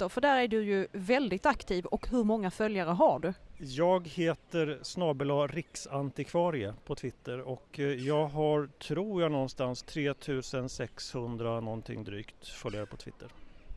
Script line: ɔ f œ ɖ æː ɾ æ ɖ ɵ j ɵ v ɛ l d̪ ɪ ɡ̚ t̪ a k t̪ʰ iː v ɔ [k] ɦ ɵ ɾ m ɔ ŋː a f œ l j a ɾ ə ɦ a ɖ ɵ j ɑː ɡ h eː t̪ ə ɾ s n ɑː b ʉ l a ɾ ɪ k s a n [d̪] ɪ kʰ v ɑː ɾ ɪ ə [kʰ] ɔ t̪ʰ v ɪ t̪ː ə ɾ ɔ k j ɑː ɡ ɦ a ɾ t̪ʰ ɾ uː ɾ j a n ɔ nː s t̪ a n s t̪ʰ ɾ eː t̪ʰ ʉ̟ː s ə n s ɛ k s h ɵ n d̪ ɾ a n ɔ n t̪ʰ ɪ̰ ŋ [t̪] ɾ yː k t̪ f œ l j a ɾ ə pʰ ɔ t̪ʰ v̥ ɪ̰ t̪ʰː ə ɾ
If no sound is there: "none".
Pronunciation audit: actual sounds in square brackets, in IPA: k, t̪, pʰ, d̪

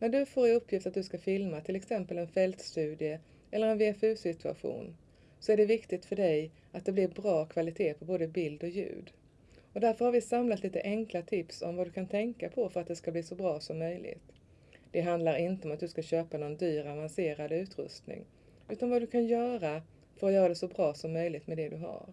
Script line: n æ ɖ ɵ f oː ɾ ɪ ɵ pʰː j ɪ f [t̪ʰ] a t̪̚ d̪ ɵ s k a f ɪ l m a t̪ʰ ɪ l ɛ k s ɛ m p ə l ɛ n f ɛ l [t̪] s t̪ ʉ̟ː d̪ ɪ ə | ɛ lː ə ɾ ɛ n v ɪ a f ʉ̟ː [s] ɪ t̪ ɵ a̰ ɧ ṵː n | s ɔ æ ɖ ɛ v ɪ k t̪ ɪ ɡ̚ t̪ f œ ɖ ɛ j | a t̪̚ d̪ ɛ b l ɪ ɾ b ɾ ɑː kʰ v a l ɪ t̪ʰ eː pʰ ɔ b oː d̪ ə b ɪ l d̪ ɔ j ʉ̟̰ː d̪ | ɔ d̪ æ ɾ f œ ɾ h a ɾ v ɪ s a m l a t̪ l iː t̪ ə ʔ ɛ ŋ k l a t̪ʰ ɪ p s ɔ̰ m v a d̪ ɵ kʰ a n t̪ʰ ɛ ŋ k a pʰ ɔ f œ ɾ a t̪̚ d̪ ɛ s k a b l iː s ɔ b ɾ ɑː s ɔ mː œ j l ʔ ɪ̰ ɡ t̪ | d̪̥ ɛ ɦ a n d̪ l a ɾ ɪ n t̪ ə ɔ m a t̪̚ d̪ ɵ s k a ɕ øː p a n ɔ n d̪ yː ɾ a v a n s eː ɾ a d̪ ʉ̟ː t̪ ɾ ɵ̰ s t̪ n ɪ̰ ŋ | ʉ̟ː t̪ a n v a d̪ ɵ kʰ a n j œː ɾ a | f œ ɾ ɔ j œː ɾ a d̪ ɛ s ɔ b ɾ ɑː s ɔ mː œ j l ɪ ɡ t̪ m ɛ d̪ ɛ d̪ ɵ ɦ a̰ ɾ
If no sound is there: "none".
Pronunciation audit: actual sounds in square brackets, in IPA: t̪, t̪, s

